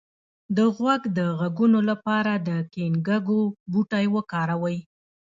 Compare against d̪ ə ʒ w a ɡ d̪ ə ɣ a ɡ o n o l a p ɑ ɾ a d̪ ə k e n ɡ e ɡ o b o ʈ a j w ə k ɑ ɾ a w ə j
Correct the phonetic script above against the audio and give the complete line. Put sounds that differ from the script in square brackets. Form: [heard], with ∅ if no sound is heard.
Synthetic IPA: d̪ ə [ɣ] w a ɡ d̪ ə ɣ a ɡ [u] n o l a p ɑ ɾ a d̪ ə k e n ɡ [a] ɡ o b [u] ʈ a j w ə k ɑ ɾ a w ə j